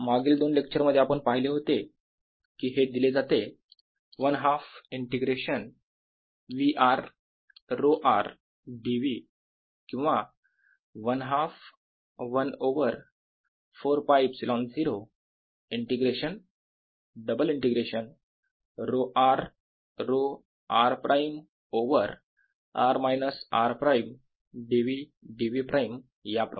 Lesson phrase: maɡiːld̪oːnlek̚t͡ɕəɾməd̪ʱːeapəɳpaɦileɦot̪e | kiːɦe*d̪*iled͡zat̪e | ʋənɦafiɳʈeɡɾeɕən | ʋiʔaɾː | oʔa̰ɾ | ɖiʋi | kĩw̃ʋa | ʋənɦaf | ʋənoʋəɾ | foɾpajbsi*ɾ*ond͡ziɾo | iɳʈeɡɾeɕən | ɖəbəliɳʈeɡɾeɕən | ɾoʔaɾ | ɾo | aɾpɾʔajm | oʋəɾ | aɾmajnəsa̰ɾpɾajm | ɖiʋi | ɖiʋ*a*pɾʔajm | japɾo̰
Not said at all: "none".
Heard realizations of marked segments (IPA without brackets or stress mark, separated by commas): d̪, l, i